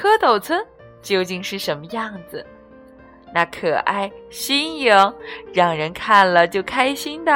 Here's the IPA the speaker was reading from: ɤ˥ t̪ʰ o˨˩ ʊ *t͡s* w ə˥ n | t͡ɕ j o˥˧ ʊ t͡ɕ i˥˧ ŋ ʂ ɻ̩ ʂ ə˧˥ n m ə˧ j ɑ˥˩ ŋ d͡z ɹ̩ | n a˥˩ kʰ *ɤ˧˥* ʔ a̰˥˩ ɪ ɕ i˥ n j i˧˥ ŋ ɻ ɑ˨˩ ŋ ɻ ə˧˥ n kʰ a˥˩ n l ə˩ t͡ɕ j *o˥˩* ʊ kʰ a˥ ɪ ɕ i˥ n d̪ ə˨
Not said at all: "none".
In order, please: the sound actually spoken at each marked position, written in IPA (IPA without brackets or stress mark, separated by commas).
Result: t͡sʰ, ɤ˨˩, o˥˩